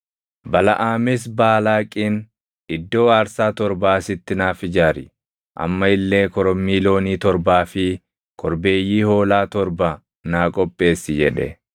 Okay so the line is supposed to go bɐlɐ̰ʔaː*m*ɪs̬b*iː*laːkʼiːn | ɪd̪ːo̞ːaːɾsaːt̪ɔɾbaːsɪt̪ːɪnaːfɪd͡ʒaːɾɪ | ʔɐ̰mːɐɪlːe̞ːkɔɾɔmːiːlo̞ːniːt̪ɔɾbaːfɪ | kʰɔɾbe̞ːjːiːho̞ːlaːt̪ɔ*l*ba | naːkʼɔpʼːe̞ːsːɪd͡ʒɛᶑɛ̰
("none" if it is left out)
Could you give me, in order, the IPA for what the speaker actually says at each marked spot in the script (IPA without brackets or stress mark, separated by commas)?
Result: m, aː, ɾ